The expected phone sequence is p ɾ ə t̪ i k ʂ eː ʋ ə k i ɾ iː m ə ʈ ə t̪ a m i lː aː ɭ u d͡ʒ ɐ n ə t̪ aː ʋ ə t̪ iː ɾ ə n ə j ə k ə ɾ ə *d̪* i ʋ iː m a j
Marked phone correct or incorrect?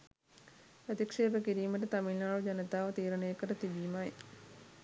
incorrect